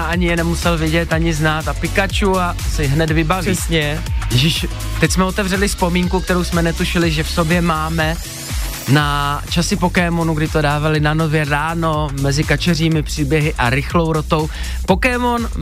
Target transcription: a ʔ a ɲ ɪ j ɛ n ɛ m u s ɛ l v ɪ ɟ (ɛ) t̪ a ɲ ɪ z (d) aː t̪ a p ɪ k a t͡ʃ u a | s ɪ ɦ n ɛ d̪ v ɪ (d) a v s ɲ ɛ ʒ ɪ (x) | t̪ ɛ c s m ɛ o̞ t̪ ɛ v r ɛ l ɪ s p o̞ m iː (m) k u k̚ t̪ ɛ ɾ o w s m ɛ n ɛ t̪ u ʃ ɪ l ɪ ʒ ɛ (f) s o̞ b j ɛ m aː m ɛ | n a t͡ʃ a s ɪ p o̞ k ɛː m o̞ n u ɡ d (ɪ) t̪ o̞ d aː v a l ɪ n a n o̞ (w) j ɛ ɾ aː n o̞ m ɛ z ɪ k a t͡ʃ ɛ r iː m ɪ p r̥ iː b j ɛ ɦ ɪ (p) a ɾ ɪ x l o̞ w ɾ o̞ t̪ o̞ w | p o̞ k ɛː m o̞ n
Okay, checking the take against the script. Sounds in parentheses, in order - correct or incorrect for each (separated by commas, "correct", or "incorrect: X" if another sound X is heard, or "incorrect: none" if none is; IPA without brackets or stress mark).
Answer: correct, incorrect: n, incorrect: b, incorrect: ʃ, incorrect: ŋ, correct, correct, incorrect: v, incorrect: ʔ